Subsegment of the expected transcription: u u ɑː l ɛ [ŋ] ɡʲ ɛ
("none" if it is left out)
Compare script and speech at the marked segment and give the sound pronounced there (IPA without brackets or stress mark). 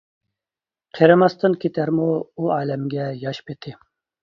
m